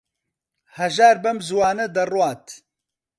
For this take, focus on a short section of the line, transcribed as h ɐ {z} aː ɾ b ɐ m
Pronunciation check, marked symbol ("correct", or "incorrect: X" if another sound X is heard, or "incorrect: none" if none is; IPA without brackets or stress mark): incorrect: ʒ